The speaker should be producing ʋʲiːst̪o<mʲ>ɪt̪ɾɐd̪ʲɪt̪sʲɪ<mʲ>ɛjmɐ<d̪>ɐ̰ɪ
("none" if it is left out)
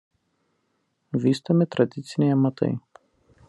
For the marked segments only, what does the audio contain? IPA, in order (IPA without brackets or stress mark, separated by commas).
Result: mʲ, nʲ, t̪